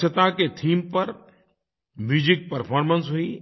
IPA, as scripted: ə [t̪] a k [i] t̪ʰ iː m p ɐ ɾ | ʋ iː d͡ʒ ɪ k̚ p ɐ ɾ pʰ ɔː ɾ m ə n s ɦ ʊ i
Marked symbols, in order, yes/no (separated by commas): yes, no